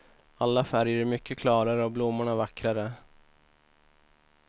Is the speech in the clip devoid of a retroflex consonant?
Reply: no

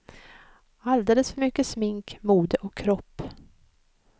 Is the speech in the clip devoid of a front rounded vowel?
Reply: no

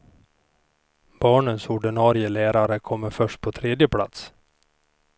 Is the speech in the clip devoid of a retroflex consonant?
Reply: no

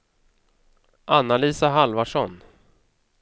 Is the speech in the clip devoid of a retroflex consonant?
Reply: no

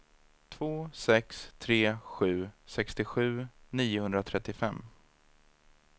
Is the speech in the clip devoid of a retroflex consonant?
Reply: yes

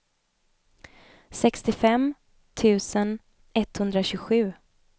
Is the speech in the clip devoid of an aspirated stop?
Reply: no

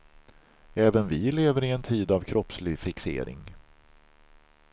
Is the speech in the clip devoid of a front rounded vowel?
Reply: yes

